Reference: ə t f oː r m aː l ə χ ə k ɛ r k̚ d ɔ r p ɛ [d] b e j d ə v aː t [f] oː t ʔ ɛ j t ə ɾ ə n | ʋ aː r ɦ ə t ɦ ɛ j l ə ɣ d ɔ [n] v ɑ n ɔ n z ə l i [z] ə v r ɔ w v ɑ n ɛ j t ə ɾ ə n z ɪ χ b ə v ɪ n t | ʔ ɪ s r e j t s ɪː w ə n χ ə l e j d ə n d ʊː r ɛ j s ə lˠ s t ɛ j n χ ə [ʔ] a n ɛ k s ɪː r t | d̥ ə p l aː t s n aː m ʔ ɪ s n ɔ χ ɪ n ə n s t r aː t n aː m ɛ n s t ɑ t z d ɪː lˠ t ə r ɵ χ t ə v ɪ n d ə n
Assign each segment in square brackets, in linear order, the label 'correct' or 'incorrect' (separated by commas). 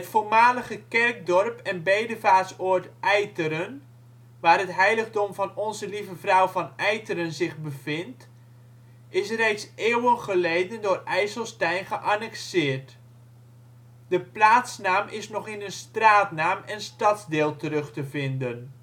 incorrect, incorrect, incorrect, incorrect, correct